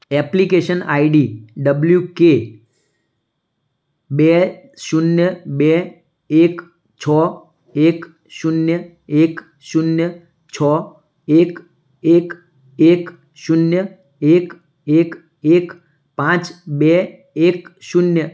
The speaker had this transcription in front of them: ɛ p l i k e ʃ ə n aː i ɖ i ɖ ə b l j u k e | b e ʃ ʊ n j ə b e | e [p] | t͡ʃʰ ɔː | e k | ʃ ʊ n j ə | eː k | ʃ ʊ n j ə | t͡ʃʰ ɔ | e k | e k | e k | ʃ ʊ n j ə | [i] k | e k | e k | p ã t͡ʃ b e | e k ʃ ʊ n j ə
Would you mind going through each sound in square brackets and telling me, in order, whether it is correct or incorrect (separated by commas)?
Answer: incorrect, incorrect